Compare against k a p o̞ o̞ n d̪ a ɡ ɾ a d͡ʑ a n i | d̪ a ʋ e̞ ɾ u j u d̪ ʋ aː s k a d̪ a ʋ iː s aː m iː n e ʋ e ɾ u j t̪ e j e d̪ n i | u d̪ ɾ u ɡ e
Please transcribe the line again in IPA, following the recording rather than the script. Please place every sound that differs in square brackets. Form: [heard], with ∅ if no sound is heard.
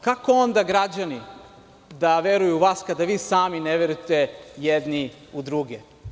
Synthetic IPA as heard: k a [k] o̞ o̞ n d̪ a ɡ ɾ a d͡ʑ a n i | d̪ a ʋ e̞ ɾ u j u [∅] ʋ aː s k a d̪ a ʋ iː s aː m [i] n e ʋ e ɾ u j t̪ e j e d̪ n i | u d̪ ɾ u ɡ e